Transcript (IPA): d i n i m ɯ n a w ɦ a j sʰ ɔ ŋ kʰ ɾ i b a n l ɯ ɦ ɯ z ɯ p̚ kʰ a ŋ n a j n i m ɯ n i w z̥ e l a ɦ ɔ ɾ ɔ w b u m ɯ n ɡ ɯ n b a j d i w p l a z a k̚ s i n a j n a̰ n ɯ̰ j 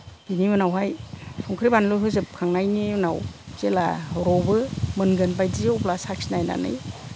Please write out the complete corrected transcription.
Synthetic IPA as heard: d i n i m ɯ n a w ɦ a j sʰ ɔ ŋ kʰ ɾ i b a n l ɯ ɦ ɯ z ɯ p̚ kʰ a ŋ n a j n i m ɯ n a w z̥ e l a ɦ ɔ ɾ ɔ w b ɯ m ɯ n ɡ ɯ n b a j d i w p l a s a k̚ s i n a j n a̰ n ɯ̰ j

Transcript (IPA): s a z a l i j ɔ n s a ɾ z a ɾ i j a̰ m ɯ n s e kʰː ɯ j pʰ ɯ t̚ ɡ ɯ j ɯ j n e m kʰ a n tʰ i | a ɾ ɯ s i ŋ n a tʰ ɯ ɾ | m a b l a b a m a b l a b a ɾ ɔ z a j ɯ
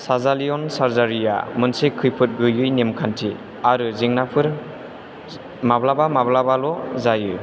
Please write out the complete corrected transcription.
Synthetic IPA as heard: s a z a l i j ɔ n s a ɾ z a ɾ i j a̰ m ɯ n s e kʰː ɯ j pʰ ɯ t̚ ɡ ɯ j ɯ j n e m kʰ a n tʰ i | a ɾ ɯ z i ŋ n a pʰ ɯ ɾ | m a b l a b a m a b l a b a l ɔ z a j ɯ

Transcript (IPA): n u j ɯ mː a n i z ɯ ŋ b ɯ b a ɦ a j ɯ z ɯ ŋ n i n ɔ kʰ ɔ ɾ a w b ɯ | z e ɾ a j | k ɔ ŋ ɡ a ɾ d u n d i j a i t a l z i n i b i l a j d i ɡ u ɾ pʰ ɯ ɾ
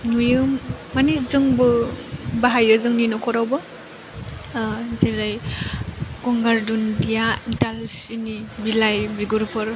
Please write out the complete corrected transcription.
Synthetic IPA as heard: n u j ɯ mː a n i z ɯ ŋ b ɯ b a ɦ a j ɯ z ɯ ŋ n i n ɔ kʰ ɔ ɾ a w b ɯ | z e ɾ a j | k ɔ ŋ ɡ a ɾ d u n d i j a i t a l s i n i b i l a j b i ɡ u ɾ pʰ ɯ ɾ

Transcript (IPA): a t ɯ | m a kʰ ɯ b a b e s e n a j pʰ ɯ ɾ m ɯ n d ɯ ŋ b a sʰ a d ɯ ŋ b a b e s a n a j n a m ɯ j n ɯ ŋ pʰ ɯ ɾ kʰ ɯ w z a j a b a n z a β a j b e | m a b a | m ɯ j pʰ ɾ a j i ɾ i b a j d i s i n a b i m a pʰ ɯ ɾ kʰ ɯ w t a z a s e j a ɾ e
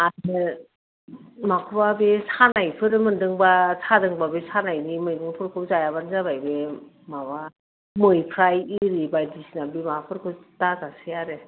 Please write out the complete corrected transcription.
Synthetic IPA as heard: a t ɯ | m a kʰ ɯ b a b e s a n a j pʰ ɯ ɾ m ɯ n d ɯ ŋ b a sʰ a d ɯ ŋ b a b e s a n a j n i m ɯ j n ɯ ŋ pʰ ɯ ɾ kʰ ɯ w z a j a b a n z a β a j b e | m a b a | m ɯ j pʰ ɾ a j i ɾ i b a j d i s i n a b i m a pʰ ɯ ɾ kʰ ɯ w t a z a s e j a ɾ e

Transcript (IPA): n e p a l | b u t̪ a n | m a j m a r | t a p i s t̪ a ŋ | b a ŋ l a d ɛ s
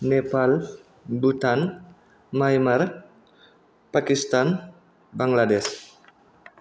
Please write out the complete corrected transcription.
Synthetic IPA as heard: n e p a l | b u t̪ a n | m a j m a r | p a k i s t̪ a n | b a ŋ l a d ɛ s

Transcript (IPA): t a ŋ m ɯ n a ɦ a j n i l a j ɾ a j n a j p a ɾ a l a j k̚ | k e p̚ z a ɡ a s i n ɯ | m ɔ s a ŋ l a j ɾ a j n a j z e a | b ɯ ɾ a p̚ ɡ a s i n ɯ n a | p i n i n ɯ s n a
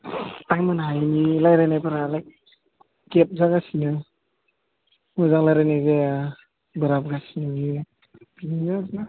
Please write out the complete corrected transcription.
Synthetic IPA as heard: t a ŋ m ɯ n a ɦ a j n i l a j ɾ a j n a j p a ɾ a l a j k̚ | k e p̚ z a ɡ a s i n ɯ | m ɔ z a ŋ l a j ɾ a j n a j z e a | b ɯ ɾ a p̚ ɡ a s i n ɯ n i | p i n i n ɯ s n a

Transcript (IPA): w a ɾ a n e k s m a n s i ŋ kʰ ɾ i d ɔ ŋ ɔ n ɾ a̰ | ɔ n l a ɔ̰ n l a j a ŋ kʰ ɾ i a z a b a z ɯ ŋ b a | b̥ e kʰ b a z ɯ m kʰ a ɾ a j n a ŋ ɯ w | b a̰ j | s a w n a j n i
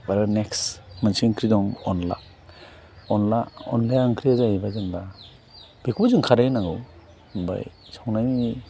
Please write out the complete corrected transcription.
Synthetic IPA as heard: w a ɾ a n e k s m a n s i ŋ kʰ ɾ i d ɔ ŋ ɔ n l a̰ | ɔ n l a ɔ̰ n l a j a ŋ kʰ ɾ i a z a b a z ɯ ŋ b a | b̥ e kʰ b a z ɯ ŋ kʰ a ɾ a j n a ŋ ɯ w | b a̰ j | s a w n a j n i

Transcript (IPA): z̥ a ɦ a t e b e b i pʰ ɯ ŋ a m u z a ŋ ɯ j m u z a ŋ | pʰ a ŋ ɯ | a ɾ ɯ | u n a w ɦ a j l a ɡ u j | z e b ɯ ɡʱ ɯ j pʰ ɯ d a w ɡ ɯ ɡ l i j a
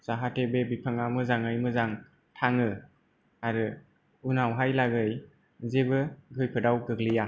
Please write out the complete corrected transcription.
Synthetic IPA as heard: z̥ a ɦ a t e b e b i pʰ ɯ ŋ a m ɯ z a ŋ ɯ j m ɯ z a ŋ | tʰ a ŋ ɯ | a ɾ ɯ | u n a w ɦ a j l a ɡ ɯ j | z e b ɯ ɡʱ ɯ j pʰ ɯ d a w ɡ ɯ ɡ l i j a

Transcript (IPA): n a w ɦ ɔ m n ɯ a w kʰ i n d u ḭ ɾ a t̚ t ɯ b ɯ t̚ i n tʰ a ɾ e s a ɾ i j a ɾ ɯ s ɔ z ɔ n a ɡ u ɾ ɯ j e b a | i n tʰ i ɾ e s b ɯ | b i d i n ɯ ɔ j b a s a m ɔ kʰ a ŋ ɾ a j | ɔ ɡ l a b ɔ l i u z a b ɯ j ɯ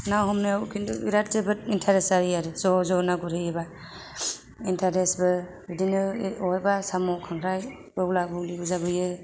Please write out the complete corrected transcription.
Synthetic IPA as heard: n a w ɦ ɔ m n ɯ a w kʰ i n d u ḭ ɾ a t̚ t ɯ b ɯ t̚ i n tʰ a ɾ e s a ɾ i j a ɾ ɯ z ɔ z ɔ n a ɡ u ɾ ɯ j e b a | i n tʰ a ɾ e s b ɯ | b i d i n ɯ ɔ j b a s a m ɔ kʰ a ŋ ɾ a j | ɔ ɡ l a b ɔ l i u z a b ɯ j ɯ

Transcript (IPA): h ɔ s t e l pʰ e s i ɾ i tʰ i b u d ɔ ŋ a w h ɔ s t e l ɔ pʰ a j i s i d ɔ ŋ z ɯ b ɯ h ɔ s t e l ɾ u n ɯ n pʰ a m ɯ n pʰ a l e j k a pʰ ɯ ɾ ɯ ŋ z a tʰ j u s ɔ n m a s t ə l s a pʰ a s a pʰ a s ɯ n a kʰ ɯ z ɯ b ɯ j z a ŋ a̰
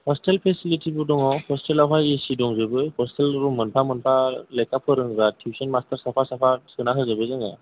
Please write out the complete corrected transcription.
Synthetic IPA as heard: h ɔ s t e l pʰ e s i l i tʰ i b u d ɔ ŋ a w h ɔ s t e l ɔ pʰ a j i s i d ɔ ŋ z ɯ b ɯ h ɔ s t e l ɾ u m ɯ n pʰ a m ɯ n pʰ a l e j k a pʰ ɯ ɾ ɯ ŋ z a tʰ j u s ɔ n m a s t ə ɾ s a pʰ a s a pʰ a s ɯ n a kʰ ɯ z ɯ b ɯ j z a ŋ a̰

